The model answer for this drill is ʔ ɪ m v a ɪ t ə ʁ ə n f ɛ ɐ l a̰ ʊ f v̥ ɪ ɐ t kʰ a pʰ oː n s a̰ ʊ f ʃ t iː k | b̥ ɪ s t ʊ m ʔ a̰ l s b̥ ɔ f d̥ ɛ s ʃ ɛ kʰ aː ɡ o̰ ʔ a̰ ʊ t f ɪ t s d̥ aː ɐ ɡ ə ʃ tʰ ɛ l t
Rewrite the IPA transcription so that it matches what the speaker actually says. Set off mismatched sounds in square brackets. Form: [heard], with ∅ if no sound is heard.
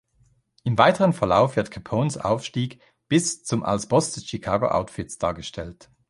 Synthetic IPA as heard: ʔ ɪ m v a ɪ t ə ʁ ə n f ɛ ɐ l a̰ ʊ f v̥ ɪ ɐ t kʰ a pʰ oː n s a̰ ʊ f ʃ t iː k | b̥ ɪ s [t͡s] ʊ m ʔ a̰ l s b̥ ɔ [s] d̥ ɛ s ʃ [i] kʰ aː ɡ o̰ ʔ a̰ ʊ t f ɪ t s d̥ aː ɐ ɡ ə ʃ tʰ ɛ l t